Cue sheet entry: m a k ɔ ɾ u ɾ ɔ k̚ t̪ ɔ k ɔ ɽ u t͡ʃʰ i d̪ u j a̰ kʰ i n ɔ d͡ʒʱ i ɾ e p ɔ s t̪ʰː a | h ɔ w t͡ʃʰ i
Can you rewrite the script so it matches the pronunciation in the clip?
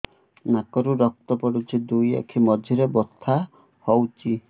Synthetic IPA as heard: n a k ɔ ɾ u ɾ ɔ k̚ t̪ ɔ p ɔ ɽ u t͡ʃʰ i d̪ u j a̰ kʰ i m ɔ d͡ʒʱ i ɾ e b ɔ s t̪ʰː a | h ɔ w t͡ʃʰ i